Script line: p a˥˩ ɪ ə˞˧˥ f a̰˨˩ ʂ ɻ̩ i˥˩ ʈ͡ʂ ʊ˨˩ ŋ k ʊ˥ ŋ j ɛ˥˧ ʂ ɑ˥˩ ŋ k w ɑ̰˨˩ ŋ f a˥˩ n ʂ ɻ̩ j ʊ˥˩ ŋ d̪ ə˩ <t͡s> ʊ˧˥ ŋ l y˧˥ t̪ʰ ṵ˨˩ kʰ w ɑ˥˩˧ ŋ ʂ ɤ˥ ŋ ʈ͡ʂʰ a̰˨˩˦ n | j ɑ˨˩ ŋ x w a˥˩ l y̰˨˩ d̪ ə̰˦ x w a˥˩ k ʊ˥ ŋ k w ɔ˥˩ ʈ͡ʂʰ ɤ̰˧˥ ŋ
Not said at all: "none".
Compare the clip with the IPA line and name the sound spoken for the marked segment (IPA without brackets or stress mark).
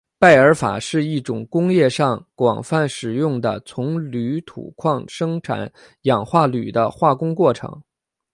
t͡sʰ